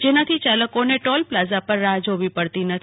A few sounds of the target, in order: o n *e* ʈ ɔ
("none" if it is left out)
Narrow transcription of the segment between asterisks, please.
e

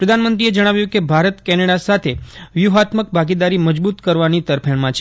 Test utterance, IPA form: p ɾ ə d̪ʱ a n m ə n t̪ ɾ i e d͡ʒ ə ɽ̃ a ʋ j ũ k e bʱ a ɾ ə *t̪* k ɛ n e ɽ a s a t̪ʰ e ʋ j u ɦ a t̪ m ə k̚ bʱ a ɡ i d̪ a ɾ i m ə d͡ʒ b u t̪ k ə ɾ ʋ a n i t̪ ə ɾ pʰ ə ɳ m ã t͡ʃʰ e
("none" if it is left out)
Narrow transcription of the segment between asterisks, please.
t̪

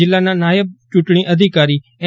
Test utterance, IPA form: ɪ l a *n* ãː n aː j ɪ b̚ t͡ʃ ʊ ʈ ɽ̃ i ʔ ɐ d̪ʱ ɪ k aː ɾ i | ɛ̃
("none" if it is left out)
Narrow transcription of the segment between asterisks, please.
n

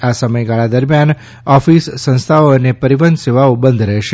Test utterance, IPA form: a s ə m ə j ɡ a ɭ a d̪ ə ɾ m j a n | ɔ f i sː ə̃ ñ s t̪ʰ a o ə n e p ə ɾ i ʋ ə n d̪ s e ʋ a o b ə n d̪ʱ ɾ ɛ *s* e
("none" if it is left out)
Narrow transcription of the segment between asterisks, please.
ʃ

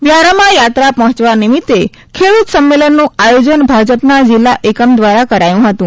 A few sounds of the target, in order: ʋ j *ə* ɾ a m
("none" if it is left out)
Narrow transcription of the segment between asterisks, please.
a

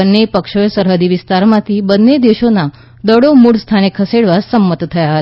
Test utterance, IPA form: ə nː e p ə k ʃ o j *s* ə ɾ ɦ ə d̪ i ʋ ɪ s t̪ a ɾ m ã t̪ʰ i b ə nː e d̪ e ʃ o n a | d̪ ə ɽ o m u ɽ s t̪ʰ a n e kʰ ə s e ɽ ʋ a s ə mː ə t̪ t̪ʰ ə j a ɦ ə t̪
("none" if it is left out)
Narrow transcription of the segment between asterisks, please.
s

